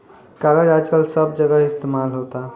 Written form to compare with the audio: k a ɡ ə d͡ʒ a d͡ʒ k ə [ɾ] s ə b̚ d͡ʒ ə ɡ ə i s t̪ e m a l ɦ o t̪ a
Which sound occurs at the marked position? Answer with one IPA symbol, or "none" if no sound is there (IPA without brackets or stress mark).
l